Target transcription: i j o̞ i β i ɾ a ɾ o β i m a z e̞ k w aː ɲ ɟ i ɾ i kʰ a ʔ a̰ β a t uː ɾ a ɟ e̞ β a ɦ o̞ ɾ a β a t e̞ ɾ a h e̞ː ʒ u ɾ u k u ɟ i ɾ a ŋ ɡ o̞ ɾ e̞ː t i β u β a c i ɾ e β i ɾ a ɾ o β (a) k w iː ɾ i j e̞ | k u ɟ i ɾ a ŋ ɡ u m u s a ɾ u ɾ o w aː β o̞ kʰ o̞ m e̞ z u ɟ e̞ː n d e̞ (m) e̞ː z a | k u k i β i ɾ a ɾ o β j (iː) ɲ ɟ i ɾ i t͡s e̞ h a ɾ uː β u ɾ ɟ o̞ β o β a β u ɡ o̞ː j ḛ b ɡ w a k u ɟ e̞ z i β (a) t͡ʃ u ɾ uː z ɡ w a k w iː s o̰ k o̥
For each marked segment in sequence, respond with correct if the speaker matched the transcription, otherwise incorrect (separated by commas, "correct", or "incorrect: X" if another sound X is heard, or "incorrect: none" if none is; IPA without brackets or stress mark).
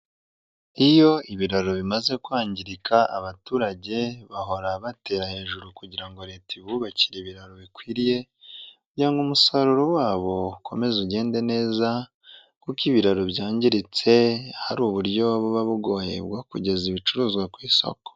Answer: incorrect: i, incorrect: n, incorrect: aː, incorrect: i